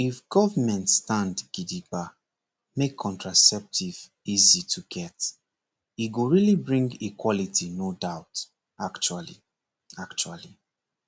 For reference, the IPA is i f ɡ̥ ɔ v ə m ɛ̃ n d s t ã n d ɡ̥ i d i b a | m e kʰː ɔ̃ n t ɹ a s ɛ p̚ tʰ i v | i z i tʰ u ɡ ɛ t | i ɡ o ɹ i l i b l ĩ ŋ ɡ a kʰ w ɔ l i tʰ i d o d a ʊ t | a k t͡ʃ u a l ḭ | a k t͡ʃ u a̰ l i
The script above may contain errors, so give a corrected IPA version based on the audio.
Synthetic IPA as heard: i f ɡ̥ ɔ v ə m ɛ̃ n t s t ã n d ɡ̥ i d i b a | m e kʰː ɔ̃ n t ɹ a s ɛ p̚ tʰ i v | i z i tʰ u ɡ ɛ t | i ɡ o ɹ i l i b ɹ ĩ ŋ ɡ i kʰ w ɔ l i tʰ i n o d a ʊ t | a k t͡ʃ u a l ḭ | a k t͡ʃ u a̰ l i

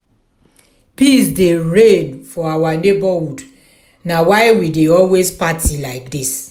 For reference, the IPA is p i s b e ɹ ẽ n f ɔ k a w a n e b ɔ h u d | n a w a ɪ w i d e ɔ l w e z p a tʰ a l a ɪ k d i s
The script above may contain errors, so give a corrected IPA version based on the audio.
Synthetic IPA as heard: p i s d e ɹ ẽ n f ɔ a w a n e b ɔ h u d | n a w a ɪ w i d e ɔ l w e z p a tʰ i l a ɪ k d i s

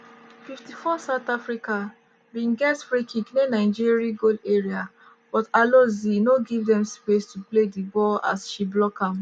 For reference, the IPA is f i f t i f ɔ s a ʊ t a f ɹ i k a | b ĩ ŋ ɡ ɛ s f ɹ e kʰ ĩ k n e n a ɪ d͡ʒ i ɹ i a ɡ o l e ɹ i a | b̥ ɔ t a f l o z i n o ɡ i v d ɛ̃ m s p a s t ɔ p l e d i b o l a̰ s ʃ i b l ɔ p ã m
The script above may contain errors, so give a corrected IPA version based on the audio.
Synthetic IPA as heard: f i f t i f ɔ s a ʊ t a f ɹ i k a | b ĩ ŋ ɡ ɛ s f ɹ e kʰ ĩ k n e n a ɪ d͡ʒ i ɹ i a ɡ o l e ɹ i a | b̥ ɔ t a l o z i n o ɡ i v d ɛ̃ m s p e s t u p l e d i b ɔ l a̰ s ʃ i b l ɔ k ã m

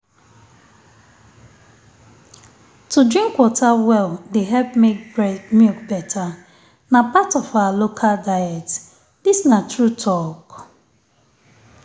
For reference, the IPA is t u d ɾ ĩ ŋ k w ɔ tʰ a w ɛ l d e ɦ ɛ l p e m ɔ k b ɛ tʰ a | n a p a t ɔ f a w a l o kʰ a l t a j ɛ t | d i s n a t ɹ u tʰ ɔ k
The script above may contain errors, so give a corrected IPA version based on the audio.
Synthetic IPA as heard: t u d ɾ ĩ ŋ k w ɔ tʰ a w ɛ l d e ɦ ɛ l p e m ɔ k b ɛ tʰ a | n a p a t ɔ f a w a l o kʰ a l d a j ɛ t | d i s n a t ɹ u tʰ ɔ k

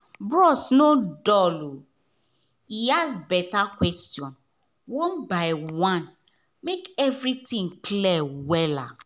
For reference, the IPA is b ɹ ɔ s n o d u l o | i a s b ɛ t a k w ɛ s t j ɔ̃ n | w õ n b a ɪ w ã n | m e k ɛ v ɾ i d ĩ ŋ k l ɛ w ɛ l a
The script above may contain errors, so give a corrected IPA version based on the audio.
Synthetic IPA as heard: b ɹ ɔ s n o d ɔ l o | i a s b ɛ t a k w ɛ s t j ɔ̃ n | w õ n b a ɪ w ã n | m e k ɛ v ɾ i t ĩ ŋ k l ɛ w ɛ l a

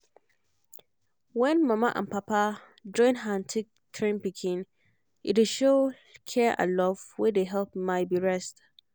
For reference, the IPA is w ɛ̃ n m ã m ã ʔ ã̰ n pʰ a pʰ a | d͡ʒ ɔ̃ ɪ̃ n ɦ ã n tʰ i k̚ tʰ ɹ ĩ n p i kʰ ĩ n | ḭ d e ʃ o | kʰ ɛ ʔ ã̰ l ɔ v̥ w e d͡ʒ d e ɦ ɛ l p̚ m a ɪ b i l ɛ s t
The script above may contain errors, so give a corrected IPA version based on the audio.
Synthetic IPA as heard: w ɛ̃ n m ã m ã ʔ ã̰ n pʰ a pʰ a | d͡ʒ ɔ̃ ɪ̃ n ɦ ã n tʰ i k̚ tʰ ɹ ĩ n p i kʰ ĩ n | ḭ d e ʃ o | kʰ ɛ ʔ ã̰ l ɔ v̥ w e d e ɦ ɛ l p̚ m a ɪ b i ɹ ɛ s t

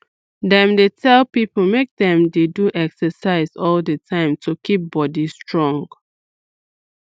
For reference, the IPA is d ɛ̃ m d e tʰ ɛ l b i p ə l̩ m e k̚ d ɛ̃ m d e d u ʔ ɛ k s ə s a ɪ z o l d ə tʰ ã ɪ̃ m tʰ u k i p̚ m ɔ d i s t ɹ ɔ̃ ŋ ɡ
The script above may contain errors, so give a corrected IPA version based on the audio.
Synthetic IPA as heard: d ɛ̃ m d e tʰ ɛ l p i p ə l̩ m e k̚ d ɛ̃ m d e d u ʔ ɛ k s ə s a ɪ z ɔ l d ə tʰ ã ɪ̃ m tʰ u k i p̚ b ɔ d i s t ɹ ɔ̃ ŋ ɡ

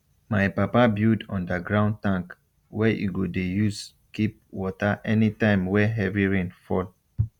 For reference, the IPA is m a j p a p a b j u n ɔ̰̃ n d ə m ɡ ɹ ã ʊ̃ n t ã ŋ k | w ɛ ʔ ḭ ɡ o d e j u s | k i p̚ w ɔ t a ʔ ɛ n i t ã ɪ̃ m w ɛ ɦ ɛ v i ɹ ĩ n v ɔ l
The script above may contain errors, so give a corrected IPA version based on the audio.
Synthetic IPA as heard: m a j p a p a b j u d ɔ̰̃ n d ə ɡ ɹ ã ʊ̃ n t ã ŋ k | w ɛ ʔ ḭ ɡ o d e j u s | k i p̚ w ɔ t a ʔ ɛ n i t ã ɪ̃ m w ɛ ɦ ɛ v i ɹ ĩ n f ɔ l

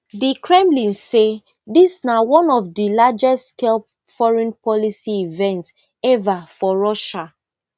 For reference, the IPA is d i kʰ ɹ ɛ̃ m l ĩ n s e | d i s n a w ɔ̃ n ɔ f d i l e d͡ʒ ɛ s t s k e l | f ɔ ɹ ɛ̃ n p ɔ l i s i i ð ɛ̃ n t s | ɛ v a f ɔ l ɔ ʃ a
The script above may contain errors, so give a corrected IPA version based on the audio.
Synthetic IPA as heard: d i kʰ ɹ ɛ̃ m l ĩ n s e | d i s n a w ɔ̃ n ɔ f d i l a d͡ʒ ɛ s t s k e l | f ɔ ɹ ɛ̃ n p ɔ l i s i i v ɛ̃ n t s | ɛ v a f ɔ ɹ ɔ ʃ a

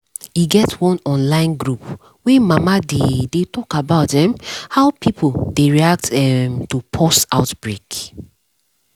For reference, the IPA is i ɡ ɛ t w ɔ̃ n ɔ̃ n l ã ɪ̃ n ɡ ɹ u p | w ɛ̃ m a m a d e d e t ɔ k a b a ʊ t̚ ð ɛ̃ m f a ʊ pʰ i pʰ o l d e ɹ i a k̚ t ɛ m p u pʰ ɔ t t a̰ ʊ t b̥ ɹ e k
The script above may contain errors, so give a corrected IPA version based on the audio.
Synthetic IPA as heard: i ɡ ɛ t w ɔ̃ n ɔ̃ n l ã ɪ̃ n ɡ ɹ u p | w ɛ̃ m a m a d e d e t ɔ k a b a ʊ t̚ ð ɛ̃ m h a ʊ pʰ i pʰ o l d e ɹ i a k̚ t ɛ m t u pʰ ɔ s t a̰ ʊ t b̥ ɹ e k

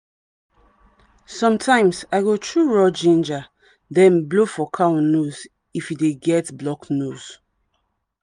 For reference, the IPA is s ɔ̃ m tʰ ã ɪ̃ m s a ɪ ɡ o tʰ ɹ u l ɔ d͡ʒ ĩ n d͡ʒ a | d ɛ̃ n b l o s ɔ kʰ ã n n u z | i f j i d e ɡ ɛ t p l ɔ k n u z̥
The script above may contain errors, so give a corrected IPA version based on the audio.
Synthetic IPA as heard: s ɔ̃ m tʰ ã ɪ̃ m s a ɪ ɡ o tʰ ɹ u ɹ ɔ d͡ʒ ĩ n d͡ʒ a | d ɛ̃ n b l o f ɔ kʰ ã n n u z | i f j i d e ɡ ɛ t b l ɔ k n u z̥

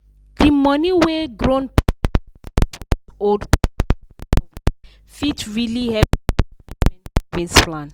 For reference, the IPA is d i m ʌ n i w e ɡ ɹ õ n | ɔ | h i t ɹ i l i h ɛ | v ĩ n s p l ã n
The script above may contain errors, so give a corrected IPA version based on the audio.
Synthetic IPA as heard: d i m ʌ n i w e ɡ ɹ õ n | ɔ | f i t ɹ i l i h ɛ | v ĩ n s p l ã n

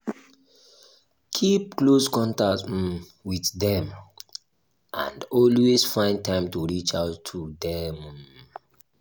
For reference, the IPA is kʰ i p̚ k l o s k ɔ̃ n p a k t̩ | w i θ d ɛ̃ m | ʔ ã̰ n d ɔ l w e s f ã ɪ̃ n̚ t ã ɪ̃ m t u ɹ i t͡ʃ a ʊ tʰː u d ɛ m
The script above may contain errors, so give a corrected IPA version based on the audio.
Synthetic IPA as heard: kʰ i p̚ k l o s k ɔ̃ n t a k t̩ | w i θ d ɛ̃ m | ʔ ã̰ n d ɔ l w e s f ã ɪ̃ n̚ t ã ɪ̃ m t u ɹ i t͡ʃ a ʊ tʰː u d ɛ m

